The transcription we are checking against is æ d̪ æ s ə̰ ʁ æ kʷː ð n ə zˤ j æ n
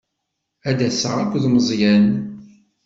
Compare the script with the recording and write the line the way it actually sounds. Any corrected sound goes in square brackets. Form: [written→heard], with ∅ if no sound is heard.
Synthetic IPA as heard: æ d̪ æ s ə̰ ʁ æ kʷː ð [n→m] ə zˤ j æ n

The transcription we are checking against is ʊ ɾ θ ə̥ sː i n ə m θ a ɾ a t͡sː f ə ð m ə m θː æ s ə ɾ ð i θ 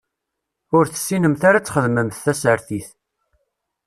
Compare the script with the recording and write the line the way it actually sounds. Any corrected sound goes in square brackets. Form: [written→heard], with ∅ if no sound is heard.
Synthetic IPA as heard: ʊ ɾ θ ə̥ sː i n ə m θ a ɾ a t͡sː [f→χ] ə ð m ə m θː æ s ə ɾ [ð→θ] i θ

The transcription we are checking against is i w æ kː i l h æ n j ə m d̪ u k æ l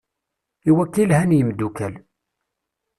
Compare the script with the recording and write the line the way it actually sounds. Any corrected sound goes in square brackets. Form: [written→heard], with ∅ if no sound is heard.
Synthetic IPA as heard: i w æ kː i l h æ n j ə m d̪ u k æ l

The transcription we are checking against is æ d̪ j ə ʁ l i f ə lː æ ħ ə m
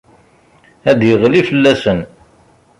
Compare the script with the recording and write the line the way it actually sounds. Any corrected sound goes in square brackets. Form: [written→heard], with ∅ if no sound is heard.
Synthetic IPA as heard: æ d̪ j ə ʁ l i f ə lː æ [ħ→s] ə [m→n]

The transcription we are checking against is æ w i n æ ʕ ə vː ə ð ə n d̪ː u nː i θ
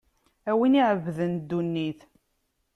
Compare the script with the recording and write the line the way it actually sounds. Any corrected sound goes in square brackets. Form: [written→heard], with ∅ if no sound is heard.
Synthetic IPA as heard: æ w i n [æ→i] ʕ ə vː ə ð ə n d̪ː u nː i θ

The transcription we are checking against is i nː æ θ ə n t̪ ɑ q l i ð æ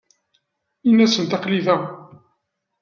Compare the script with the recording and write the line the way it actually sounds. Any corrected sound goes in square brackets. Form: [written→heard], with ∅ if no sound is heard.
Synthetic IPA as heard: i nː æ [θ→s] ə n t̪ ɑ q l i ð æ

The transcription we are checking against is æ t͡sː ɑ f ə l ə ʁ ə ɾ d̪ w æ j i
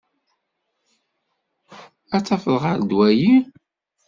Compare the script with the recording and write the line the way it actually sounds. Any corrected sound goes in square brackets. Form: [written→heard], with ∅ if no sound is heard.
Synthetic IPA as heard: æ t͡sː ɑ f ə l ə ʁ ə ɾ d̪ w æ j i

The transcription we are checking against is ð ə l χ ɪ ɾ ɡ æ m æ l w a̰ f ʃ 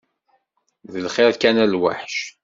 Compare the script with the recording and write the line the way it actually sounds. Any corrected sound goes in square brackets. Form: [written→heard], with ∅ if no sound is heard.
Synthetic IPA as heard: ð ə l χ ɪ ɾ [ɡ→k] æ [m→n] æ l w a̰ [f→ħ] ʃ

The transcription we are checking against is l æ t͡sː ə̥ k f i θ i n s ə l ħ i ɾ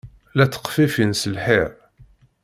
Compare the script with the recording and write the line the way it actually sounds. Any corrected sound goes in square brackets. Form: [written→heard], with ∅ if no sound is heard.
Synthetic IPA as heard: l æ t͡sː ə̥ [k→q] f i [θ→f] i n s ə l ħ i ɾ

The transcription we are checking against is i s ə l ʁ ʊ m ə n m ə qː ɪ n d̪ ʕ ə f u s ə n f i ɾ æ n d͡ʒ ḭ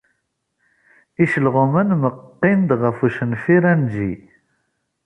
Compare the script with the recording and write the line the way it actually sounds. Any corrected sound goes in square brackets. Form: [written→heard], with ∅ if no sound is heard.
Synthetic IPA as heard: i [s→ʃ] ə l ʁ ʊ m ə n m ə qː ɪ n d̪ [ʕ→ʁ] ə f u [s→ʃ] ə n f i ɾ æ n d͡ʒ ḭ

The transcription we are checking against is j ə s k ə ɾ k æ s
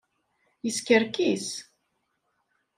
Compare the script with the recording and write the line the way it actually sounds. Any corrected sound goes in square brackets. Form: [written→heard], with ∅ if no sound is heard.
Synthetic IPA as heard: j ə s k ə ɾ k [æ→i] s

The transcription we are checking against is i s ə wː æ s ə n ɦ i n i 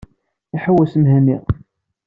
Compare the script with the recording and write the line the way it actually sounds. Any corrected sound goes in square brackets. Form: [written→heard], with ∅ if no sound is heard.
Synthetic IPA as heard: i [s→ħ] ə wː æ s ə [n→m] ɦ [i→æ] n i

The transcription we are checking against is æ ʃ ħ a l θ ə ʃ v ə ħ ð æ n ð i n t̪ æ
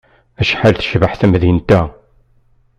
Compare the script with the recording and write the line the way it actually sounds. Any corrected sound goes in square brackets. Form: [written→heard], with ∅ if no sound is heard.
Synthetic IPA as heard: æ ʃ ħ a l θ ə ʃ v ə ħ [ð→θ] æ [n→m] ð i n t̪ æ

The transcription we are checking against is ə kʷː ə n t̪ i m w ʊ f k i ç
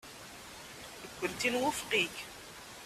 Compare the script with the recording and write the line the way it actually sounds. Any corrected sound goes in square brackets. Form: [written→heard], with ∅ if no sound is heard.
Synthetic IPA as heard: ə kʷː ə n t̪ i [m→n] w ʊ f [k→q] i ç

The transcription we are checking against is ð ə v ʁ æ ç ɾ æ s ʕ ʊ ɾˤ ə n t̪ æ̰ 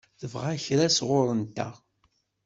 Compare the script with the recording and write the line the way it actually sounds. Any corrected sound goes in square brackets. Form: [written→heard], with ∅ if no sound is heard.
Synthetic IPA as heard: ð ə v ʁ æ ç ɾ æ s [ʕ→ʁ] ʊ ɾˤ ə n t̪ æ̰

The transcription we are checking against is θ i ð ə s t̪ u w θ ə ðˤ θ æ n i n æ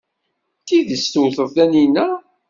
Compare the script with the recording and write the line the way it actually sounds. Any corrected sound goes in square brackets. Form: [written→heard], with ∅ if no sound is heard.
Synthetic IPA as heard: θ i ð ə s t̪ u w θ ə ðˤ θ æ n i n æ

